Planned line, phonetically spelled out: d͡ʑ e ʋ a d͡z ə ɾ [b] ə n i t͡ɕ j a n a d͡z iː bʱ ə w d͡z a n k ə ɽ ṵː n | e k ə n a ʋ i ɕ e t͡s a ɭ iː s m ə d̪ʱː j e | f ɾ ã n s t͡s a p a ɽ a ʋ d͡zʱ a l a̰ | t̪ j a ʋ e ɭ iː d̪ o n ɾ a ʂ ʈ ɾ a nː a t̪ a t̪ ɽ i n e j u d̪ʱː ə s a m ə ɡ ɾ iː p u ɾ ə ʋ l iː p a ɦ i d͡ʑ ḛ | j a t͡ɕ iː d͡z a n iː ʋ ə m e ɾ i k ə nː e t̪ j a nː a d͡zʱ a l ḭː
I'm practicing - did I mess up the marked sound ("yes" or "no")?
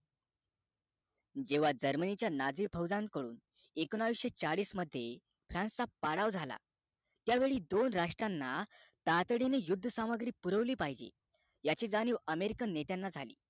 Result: yes